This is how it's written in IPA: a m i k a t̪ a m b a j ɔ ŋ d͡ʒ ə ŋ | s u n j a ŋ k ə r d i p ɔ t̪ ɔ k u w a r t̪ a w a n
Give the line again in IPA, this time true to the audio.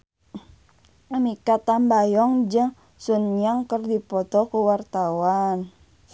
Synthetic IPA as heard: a m i k a t̪ a m b a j ɔ ŋ d͡ʒ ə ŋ | s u n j a ŋ k ə r d i p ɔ t̪ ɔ k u w a r t̪ a w a n